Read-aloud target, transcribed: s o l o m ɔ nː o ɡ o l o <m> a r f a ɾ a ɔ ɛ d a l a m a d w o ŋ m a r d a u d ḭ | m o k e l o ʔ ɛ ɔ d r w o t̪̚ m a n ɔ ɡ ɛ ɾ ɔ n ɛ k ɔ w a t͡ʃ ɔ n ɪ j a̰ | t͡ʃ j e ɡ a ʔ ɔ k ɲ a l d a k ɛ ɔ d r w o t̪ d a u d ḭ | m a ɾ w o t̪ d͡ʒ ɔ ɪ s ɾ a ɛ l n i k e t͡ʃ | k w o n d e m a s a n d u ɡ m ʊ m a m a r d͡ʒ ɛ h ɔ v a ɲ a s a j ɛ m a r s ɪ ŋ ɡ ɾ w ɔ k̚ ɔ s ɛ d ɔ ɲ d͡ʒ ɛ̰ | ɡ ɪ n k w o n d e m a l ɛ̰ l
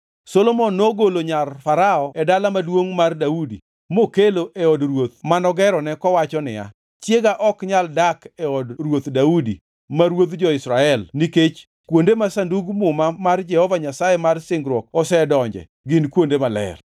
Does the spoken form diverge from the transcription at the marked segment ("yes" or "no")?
yes